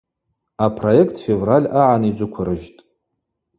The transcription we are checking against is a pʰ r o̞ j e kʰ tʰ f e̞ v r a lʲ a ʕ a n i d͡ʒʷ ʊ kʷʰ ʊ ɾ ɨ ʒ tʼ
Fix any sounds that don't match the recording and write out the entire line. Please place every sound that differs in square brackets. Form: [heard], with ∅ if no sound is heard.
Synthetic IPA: a pʰ r o̞ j e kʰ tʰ f e̞ v r a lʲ a ʕ a n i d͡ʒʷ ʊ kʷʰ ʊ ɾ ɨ ʒ tʼ